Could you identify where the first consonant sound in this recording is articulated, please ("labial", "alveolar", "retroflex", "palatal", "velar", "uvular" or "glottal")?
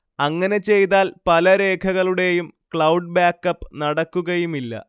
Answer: velar